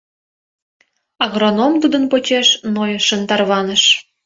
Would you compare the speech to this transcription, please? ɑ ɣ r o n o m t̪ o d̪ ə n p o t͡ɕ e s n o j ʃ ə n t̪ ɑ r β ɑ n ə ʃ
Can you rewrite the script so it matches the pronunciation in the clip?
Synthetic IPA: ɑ ɣ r o n o m t̪ u d̪ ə n p o t͡ɕ e ʃ n o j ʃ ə n t̪ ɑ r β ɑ n ə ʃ

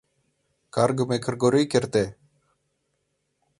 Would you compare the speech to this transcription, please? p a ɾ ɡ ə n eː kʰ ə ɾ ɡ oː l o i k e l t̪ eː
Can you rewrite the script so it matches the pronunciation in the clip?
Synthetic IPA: k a ɾ ɡ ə m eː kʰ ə ɾ ɡ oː ɾ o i k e ɾ t̪ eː

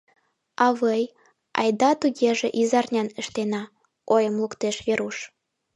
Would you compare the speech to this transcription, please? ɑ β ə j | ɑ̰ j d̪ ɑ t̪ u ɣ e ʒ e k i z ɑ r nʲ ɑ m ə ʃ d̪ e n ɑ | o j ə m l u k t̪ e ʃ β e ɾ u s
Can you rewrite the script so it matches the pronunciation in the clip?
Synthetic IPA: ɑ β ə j | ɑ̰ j d̪ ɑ t̪ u ɣ e ʒ e ʔ i z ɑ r nʲ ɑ n ə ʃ t̪ e n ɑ | o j ə m l u k t̪ e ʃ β e ɾ u ʃ

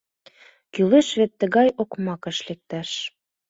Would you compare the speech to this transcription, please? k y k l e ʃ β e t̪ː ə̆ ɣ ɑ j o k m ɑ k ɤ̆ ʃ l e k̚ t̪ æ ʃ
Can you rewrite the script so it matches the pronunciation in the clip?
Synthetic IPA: k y l e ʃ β e t̪ː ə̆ ɣ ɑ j o k m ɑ k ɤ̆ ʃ l e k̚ t̪ æ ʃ

